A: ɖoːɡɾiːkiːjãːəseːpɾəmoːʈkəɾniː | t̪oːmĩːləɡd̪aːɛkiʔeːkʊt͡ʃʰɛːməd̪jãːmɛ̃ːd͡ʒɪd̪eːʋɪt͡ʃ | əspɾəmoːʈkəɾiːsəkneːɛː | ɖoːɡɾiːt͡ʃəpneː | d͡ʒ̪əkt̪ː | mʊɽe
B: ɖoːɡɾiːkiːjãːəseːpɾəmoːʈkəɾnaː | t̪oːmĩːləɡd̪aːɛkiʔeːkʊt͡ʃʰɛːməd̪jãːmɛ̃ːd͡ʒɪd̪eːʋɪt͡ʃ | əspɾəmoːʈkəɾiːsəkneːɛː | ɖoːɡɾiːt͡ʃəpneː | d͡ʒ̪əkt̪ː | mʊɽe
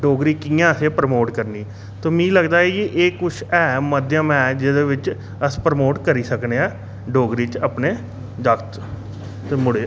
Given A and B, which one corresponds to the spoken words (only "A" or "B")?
A